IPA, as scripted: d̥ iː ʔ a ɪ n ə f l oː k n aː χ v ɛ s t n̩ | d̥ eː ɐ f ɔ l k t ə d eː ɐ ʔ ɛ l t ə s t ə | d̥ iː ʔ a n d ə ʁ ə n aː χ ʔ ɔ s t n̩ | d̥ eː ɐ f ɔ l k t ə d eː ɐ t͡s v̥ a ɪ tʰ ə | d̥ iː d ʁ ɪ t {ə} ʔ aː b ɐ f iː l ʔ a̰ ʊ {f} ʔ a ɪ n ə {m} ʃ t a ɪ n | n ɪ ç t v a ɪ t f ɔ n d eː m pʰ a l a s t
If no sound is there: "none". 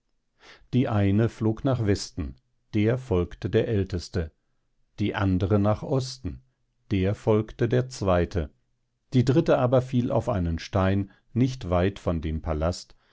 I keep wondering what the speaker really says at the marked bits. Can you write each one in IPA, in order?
ə, f, n

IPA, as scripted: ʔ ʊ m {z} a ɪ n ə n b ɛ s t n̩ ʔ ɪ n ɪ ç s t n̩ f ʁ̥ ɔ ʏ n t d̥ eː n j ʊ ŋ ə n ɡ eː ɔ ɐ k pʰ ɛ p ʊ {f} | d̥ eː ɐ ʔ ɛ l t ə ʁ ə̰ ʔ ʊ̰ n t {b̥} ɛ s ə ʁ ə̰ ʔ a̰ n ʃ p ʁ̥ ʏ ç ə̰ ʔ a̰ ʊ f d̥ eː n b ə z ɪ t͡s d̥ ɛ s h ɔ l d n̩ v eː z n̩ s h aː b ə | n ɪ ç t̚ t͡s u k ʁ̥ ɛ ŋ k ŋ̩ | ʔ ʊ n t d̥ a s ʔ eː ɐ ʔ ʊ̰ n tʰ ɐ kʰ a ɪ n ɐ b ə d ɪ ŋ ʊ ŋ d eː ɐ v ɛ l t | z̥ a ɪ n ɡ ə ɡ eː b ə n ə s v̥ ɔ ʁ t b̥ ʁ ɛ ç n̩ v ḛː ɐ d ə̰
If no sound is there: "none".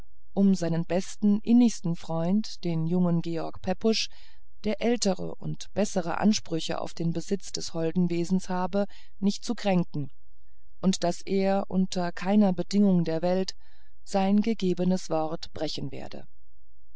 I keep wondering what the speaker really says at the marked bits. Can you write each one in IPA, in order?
z, ʃ, b̥

